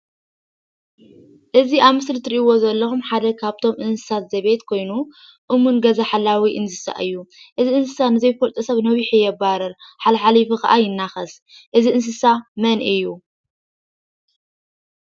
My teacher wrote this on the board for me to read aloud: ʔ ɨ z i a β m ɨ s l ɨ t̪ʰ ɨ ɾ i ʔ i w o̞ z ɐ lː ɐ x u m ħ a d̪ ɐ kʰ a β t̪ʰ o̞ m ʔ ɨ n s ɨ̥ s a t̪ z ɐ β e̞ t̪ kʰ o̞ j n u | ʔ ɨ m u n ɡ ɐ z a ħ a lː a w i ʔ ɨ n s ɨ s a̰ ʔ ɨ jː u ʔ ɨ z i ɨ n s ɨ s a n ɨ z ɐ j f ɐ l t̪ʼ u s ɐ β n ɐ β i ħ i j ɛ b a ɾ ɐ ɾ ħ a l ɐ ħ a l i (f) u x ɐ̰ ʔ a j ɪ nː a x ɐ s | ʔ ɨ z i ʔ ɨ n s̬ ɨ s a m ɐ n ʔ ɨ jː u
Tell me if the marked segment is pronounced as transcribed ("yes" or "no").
yes